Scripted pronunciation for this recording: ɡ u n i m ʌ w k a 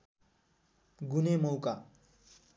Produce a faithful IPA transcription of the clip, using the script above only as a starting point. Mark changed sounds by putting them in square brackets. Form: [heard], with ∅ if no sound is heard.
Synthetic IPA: ɡ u n [e] m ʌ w k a